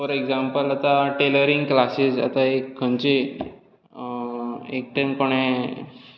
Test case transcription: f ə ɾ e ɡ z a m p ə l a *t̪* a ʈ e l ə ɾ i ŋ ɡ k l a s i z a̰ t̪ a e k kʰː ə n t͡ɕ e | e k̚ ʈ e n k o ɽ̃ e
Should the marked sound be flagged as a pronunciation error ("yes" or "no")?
no